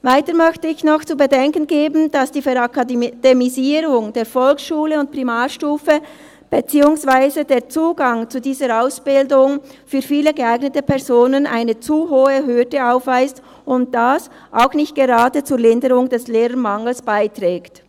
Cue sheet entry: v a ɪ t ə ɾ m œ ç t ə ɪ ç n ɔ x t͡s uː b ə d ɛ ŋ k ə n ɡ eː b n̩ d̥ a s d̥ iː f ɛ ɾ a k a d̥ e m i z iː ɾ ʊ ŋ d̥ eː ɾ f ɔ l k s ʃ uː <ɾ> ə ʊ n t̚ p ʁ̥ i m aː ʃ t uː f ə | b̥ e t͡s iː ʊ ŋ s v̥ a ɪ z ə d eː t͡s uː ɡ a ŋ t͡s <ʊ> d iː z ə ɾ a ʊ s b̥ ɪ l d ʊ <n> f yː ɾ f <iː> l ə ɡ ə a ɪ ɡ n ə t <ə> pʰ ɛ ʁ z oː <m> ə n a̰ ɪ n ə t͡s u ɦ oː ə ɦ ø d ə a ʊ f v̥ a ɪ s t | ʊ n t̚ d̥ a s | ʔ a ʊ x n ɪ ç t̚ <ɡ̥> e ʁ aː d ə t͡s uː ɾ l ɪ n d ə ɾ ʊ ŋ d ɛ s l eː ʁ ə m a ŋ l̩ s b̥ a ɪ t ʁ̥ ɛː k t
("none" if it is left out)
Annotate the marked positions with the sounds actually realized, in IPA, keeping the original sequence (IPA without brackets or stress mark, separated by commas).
l, u, ŋ, iː, ə, n, ɡ̥